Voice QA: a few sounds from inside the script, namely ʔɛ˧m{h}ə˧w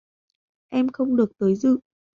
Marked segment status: incorrect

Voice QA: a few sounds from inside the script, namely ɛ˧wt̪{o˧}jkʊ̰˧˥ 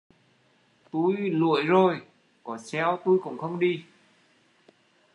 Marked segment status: incorrect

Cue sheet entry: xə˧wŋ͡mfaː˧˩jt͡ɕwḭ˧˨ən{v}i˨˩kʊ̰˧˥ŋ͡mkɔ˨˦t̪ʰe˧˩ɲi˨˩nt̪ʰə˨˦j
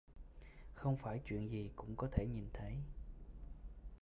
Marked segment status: incorrect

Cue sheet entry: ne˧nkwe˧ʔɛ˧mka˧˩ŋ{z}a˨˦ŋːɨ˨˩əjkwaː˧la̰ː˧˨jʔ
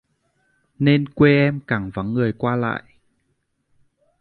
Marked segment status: incorrect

